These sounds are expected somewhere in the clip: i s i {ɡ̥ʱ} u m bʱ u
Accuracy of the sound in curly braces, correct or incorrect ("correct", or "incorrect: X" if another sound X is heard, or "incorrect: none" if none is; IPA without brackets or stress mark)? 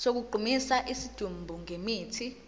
incorrect: d̥ʱ